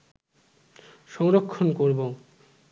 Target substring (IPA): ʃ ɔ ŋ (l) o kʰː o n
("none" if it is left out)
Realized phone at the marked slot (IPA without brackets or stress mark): ɾ